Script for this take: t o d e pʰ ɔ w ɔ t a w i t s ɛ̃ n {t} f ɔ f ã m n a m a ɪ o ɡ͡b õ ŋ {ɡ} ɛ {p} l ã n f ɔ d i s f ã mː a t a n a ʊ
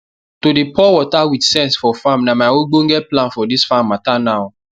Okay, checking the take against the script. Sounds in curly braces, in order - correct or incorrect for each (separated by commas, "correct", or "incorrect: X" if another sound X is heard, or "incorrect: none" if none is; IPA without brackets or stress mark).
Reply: incorrect: s, correct, correct